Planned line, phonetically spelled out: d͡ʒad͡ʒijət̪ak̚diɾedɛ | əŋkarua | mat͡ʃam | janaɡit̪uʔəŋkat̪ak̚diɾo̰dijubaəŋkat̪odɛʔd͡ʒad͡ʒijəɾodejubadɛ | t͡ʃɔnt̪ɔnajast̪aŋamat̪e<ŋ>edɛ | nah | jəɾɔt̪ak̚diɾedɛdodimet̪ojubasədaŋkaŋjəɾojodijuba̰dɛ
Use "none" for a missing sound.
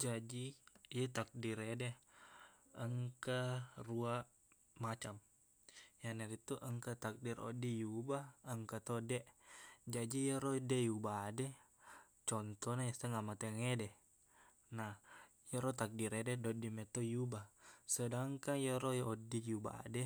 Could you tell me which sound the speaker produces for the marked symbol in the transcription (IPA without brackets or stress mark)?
ŋ